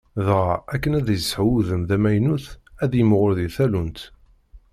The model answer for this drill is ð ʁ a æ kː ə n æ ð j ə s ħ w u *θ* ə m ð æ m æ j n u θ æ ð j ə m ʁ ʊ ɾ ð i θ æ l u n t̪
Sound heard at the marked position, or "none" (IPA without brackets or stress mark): ð